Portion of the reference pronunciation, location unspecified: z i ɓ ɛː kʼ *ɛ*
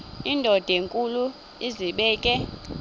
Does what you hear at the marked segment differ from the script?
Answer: no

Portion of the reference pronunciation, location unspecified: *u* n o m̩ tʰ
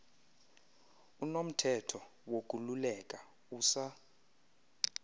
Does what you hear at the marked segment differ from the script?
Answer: no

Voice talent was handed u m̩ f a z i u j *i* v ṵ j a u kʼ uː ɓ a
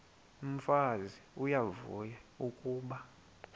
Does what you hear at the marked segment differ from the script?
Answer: yes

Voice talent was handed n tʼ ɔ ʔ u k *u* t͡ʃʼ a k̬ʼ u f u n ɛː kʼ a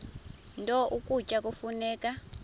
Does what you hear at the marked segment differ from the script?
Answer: no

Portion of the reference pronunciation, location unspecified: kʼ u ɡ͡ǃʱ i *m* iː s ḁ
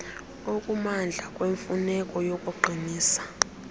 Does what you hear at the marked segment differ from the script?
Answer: yes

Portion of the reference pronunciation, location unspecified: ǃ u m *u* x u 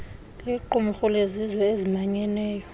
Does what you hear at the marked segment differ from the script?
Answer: no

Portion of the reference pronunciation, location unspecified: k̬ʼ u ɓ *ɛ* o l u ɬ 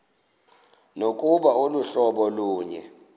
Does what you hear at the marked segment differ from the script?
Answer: yes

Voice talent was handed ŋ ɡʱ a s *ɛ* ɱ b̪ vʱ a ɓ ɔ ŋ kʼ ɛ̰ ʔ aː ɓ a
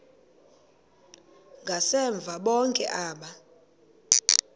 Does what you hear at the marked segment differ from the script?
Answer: no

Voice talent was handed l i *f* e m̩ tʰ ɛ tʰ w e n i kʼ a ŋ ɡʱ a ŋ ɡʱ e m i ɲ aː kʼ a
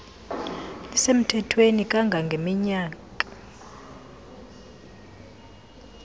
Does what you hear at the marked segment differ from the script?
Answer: yes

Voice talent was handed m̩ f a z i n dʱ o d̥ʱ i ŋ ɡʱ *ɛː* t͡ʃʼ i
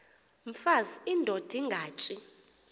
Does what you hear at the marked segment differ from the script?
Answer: yes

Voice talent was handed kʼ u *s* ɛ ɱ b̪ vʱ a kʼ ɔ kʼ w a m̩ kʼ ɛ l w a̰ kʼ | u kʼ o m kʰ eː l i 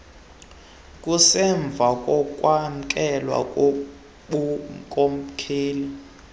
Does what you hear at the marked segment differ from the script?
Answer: no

